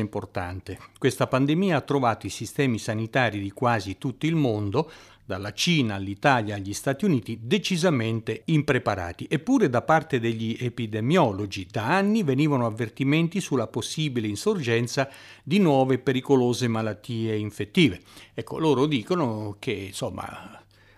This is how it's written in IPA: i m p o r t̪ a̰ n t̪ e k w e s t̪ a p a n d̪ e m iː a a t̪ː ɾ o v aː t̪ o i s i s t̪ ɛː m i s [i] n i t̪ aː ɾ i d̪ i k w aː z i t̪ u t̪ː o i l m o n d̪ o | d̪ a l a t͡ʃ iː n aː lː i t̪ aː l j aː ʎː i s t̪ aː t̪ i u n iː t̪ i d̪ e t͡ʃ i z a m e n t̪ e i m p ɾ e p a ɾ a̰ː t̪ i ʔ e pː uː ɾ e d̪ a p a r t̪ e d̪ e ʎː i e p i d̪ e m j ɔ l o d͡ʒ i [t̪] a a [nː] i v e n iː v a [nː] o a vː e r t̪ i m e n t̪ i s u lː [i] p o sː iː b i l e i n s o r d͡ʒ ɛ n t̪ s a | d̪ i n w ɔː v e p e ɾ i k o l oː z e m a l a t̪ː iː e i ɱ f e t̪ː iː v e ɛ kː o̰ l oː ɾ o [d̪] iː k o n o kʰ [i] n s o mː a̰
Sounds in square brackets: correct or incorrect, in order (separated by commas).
incorrect, incorrect, correct, incorrect, incorrect, correct, incorrect